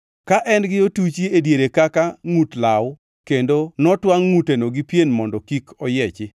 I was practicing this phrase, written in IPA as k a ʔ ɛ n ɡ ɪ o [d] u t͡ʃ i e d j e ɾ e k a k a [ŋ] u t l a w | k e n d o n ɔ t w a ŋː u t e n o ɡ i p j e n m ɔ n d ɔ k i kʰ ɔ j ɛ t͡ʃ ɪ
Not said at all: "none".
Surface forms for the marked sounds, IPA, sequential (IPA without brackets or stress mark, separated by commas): t, ŋ